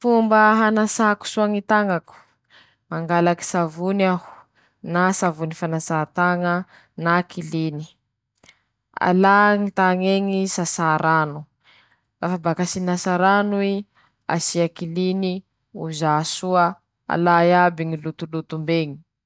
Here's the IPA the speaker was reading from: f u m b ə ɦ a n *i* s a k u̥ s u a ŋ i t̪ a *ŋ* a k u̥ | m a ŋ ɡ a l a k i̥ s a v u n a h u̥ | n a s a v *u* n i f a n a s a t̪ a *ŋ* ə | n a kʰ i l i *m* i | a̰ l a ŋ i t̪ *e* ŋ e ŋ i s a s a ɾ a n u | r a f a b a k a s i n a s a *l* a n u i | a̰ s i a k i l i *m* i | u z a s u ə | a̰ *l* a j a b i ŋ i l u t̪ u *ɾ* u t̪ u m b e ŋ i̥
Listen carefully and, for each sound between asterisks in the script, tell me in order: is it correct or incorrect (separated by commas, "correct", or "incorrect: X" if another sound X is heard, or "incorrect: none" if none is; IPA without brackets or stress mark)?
incorrect: a, correct, correct, correct, incorrect: n, incorrect: a, incorrect: ɾ, incorrect: n, correct, incorrect: l